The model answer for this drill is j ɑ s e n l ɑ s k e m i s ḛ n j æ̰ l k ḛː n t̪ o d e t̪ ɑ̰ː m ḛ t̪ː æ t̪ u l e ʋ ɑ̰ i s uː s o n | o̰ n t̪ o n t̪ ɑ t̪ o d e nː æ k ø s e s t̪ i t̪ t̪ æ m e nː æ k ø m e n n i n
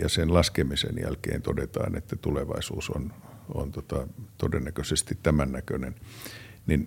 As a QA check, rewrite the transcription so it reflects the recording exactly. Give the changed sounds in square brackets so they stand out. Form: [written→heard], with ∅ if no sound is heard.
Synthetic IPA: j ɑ s e n l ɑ s k e m i s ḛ n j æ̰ l k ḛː n t̪ o d e t̪ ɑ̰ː [m→n] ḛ t̪ː æ t̪ u l e ʋ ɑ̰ i s uː s o n | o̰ n t̪ o [n→∅] t̪ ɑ t̪ o d e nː æ k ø s e s t̪ i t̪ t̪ æ m [e→æ] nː æ k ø [m→n] e n n i n